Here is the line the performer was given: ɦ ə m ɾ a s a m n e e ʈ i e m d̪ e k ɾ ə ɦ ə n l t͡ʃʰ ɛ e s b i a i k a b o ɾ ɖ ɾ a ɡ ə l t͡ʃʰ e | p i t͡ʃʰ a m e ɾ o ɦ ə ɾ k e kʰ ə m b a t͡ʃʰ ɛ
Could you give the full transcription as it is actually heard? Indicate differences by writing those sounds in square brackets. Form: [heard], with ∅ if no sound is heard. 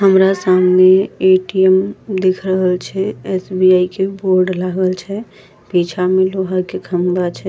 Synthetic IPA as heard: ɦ ə m ɾ a s a m n e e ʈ i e m d̪ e [kʰ] ɾ ə ɦ ə [∅] l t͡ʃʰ ɛ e s b i a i k [e] b o ɾ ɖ [l] a ɡ ə l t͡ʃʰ [ɛ] | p i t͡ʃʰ a m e [l] o ɦ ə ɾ k e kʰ ə m b a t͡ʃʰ ɛ